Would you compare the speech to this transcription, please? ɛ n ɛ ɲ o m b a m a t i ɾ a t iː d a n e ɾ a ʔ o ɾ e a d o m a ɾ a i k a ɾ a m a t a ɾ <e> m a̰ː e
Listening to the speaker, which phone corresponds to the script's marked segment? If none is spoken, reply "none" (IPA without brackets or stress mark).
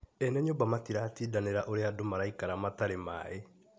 e